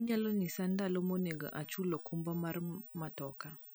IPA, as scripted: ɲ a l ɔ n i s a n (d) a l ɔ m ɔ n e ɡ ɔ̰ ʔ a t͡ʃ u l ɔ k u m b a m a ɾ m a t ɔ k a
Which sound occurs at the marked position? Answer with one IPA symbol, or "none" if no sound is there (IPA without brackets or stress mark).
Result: d